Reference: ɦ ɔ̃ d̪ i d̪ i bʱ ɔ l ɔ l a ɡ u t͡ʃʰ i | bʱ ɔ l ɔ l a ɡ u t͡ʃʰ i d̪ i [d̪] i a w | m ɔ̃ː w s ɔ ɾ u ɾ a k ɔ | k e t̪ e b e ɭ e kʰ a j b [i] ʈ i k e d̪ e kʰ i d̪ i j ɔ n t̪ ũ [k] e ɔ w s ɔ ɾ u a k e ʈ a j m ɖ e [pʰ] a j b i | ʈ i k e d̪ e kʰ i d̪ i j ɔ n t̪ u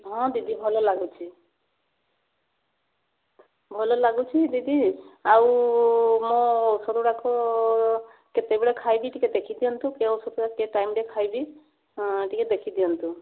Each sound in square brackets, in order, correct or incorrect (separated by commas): correct, correct, correct, incorrect